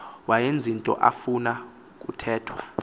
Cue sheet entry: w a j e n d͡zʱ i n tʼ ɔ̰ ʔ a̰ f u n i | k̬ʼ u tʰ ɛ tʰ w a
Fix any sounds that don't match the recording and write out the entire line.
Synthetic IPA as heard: w a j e n d͡zʱ i n tʼ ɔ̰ ʔ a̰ f u n a | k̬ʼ u tʰ ɛː tʰ w a